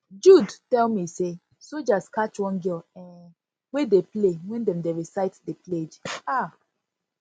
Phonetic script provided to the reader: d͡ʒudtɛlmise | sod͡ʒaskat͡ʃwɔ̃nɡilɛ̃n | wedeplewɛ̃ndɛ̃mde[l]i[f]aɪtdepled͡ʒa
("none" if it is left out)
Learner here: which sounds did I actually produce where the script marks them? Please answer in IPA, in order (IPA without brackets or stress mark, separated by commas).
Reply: ɹ, s